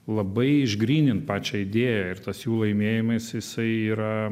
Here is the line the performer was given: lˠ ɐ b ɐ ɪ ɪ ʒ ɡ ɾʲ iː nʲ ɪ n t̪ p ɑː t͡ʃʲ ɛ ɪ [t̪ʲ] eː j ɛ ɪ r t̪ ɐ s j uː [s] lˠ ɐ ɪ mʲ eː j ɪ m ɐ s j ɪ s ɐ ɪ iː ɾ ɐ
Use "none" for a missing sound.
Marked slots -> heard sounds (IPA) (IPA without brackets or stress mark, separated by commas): d̪ʲ, none